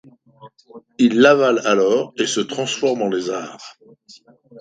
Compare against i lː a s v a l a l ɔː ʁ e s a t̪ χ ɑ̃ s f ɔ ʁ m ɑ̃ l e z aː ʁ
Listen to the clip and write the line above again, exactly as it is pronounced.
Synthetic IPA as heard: i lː a v a l a l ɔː ʁ e s ə t̪ χ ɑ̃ s f ɔ ʁ m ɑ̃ l e z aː ʁ